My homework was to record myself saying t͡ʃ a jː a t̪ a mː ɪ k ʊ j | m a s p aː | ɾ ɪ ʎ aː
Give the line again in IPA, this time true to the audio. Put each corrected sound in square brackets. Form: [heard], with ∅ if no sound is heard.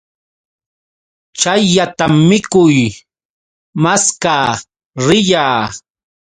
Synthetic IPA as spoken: t͡ʃ a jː a t̪ a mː ɪ k ʊ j | m a s [k] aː | ɾ ɪ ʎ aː